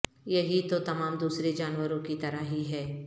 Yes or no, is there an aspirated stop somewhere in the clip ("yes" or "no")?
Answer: no